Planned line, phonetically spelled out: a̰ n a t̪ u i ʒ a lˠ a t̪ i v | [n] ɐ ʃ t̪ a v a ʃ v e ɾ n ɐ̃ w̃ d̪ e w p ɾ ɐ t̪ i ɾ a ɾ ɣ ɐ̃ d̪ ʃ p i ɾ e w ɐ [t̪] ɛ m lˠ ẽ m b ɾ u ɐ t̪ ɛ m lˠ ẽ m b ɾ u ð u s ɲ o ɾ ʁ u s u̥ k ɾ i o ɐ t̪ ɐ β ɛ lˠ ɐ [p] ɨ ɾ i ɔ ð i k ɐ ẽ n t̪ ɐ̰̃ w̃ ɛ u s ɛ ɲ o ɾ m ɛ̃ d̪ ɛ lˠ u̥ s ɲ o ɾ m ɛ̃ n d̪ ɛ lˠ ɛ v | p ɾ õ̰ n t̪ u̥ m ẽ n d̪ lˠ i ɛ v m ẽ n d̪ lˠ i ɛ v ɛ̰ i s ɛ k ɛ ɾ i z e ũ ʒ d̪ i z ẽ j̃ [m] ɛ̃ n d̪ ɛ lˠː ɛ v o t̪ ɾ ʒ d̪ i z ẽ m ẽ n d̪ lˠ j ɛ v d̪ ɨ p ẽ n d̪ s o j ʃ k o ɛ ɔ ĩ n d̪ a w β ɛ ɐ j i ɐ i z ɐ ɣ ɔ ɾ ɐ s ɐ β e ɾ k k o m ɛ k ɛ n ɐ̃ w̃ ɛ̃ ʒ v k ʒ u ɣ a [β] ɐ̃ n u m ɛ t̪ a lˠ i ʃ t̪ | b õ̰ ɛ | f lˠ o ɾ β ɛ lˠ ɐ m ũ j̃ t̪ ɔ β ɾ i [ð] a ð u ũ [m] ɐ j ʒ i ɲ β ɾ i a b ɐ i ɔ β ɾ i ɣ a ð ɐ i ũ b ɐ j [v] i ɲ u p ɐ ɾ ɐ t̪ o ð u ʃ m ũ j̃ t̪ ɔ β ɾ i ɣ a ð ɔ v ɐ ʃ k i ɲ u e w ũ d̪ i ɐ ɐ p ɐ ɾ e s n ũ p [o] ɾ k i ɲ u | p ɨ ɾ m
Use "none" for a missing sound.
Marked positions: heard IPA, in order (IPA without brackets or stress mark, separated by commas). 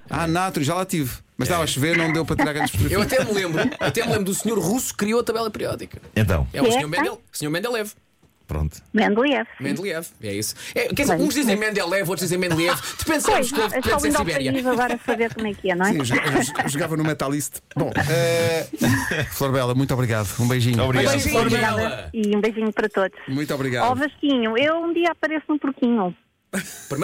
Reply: m, t̪, p, m, v, ɣ, b, ʒ, u